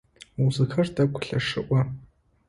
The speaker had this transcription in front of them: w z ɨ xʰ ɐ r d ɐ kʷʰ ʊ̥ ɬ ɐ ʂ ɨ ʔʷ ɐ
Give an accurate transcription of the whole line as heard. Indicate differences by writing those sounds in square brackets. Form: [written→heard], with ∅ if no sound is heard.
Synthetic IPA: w z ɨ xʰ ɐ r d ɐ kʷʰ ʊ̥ ɬ ɐ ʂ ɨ ʔʷ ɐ